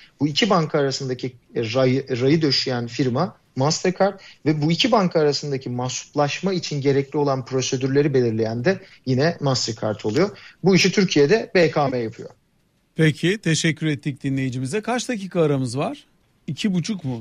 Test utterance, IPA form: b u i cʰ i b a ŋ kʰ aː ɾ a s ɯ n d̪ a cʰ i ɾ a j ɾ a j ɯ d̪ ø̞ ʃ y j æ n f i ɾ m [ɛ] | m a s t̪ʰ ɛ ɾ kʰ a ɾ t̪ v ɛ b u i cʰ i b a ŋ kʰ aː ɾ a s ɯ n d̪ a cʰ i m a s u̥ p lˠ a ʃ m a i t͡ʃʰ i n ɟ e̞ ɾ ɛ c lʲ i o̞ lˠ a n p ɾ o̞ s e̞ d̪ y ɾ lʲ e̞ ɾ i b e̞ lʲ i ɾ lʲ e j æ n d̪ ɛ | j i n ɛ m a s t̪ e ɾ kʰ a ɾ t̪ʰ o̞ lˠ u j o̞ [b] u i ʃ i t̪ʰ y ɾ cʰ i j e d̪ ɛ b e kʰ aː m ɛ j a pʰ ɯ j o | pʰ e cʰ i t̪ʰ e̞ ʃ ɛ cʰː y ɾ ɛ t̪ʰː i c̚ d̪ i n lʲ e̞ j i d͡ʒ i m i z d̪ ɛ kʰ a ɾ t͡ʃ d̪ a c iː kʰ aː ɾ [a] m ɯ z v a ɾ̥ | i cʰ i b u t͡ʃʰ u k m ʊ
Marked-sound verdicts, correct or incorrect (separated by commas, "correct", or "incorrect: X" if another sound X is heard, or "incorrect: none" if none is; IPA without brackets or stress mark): incorrect: a, correct, correct